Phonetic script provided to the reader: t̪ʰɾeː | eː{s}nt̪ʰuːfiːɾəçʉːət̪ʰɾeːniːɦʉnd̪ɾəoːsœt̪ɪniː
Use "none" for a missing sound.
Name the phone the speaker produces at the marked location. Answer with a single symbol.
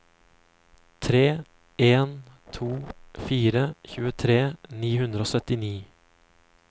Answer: none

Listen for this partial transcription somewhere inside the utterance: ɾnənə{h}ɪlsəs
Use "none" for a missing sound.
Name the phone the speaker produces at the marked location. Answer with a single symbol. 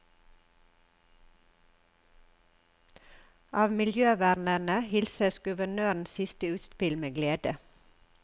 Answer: h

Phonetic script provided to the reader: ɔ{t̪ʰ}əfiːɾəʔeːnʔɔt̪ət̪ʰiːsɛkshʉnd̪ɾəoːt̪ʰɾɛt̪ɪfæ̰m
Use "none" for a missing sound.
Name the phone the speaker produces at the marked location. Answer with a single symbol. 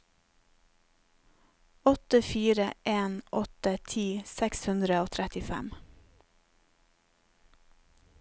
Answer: t̪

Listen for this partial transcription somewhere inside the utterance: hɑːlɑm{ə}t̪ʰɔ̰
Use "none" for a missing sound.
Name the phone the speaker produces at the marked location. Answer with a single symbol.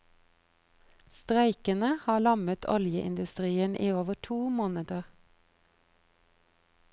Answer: ə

